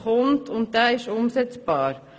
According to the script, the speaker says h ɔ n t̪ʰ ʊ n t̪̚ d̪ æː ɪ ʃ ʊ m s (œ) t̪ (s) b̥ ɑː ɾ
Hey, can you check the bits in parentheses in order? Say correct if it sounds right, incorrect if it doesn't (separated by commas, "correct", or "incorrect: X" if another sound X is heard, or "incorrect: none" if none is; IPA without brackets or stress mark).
incorrect: ɛ, correct